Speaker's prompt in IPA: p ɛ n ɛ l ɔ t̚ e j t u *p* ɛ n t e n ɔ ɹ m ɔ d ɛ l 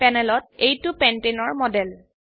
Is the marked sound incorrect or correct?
correct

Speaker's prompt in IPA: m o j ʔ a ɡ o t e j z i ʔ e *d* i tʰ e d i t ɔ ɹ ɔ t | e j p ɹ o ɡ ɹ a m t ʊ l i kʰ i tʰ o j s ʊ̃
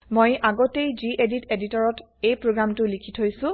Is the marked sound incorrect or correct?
correct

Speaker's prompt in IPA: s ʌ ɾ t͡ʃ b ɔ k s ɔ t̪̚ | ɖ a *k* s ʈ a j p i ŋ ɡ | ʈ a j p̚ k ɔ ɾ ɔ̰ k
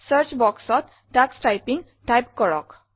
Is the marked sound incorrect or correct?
correct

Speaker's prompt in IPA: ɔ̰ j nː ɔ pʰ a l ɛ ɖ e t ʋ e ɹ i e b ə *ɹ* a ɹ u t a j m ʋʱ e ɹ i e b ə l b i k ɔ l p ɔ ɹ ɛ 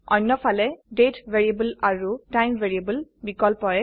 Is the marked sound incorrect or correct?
incorrect: l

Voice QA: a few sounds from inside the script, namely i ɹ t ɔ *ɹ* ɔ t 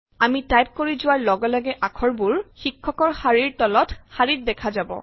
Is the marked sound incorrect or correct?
incorrect: l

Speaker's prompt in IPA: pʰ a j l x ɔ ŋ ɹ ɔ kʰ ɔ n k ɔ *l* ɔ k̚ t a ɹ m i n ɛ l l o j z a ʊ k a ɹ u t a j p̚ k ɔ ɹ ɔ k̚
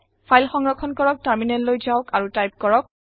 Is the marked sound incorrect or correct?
incorrect: ɹ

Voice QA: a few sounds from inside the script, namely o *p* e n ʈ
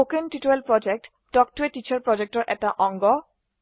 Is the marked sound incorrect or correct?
incorrect: k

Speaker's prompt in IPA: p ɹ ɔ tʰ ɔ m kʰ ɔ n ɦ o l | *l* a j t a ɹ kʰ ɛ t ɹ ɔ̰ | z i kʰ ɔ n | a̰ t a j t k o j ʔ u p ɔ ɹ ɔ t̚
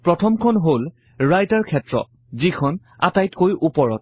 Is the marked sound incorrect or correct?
incorrect: ɹ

